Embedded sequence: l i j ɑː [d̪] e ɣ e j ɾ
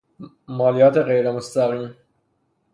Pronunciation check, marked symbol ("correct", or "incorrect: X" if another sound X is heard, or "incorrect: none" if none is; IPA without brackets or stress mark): incorrect: t̪